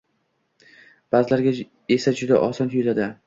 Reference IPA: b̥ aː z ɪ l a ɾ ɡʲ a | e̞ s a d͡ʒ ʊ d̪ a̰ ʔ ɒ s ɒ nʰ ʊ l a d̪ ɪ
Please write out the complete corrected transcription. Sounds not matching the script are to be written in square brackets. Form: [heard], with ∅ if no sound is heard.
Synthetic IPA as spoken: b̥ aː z ɪ l a ɾ ɡʲ a | e̞ s a d͡ʒ ʊ d̪ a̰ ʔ ɒ s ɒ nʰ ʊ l a d̪ ɪ